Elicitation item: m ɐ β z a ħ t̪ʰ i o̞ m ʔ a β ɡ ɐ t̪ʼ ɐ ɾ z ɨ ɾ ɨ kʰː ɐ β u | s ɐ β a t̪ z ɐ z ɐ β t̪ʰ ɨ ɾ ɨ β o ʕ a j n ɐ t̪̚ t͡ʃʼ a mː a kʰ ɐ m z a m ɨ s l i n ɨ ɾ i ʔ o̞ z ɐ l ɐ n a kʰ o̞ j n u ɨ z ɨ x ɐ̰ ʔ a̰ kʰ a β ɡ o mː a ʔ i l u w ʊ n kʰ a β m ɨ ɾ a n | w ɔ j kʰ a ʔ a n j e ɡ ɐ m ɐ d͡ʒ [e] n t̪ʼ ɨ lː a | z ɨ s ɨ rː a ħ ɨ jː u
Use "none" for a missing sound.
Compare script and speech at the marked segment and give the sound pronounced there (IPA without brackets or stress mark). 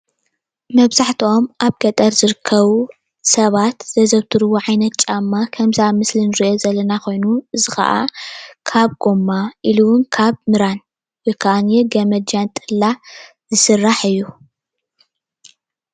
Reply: a